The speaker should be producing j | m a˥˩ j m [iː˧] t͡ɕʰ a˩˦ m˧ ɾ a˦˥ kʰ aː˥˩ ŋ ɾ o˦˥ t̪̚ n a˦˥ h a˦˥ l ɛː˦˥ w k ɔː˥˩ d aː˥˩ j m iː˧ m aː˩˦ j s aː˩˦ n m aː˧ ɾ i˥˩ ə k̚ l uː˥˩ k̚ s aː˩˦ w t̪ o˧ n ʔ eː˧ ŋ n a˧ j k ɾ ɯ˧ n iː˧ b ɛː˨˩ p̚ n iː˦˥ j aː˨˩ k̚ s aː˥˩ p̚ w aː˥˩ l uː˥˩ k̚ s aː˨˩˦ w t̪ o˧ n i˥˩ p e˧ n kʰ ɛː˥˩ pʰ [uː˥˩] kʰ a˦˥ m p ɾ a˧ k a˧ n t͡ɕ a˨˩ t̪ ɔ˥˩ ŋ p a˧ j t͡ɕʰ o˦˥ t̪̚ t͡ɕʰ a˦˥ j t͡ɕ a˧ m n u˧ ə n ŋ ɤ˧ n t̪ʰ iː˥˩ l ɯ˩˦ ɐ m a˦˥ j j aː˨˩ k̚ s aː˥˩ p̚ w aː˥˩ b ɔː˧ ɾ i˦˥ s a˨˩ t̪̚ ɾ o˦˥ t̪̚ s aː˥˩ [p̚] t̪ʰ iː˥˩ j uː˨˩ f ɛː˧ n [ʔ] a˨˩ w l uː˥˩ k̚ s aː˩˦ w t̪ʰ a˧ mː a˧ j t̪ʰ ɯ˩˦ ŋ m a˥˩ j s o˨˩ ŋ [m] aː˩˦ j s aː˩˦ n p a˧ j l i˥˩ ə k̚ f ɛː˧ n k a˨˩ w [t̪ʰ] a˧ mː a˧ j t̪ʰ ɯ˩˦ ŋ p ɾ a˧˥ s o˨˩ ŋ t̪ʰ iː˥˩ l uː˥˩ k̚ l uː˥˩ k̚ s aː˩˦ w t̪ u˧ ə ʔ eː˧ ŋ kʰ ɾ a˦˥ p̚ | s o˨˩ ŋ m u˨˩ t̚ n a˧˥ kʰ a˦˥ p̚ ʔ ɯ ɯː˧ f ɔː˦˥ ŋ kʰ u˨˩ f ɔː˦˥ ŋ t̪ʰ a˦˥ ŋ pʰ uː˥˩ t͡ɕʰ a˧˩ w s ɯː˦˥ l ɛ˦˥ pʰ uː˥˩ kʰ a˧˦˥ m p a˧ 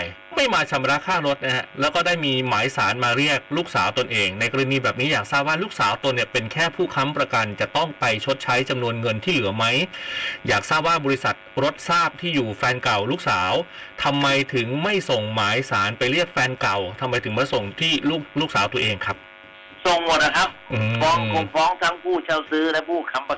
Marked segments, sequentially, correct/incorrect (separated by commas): incorrect, correct, correct, incorrect, correct, correct